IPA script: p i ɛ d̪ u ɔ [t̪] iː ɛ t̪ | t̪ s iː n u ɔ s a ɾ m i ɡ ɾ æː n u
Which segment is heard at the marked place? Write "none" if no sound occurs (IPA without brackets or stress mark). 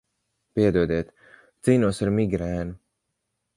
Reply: d̪